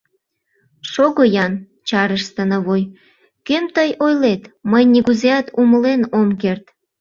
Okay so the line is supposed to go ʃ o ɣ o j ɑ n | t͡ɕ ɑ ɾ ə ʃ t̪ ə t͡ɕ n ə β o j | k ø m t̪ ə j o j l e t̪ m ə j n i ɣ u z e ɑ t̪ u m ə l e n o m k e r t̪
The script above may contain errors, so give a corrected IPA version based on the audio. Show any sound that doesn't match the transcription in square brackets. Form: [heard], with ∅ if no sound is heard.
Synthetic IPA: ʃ o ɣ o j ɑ n | t͡ɕ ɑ ɾ ə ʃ t̪ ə [∅] n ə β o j | k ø m t̪ ə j o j l e t̪ m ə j n i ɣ u z e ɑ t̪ u m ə l e n o m k e r t̪